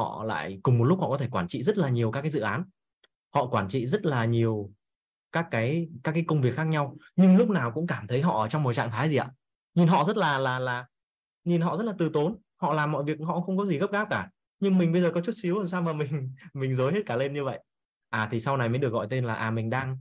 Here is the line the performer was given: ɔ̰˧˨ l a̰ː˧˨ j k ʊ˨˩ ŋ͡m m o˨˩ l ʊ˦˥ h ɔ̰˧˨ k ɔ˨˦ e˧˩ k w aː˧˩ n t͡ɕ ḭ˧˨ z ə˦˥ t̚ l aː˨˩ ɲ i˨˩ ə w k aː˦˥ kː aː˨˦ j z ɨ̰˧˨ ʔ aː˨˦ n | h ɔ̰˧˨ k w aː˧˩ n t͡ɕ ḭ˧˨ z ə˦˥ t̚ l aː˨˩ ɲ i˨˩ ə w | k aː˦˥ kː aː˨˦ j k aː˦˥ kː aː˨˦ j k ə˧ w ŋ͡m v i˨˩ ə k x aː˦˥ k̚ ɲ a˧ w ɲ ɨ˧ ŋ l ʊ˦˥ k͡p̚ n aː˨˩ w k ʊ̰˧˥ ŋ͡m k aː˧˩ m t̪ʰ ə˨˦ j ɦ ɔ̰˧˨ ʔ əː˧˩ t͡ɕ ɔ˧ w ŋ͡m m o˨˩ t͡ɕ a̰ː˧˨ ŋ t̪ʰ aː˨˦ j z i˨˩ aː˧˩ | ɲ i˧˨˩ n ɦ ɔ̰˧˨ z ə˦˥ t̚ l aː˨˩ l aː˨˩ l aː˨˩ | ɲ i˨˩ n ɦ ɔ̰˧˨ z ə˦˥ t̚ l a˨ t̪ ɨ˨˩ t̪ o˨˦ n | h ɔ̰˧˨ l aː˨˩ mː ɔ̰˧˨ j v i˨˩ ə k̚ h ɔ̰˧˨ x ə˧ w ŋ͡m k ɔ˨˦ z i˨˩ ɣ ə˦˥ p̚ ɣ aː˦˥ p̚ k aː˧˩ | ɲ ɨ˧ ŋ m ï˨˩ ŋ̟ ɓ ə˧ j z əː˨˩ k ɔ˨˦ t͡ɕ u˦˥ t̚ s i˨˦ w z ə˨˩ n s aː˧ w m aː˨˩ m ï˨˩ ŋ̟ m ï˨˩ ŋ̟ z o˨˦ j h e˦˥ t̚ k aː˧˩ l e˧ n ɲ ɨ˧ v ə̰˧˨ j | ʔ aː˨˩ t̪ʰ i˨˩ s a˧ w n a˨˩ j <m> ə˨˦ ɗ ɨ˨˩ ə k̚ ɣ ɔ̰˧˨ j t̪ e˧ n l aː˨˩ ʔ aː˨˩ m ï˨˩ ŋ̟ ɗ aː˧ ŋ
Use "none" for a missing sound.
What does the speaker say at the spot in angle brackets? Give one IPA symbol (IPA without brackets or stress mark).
m